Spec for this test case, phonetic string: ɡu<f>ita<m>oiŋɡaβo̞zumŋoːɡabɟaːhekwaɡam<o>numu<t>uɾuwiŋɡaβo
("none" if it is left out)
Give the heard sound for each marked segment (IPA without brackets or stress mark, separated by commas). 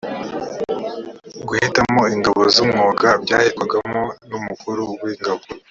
h, m, o, k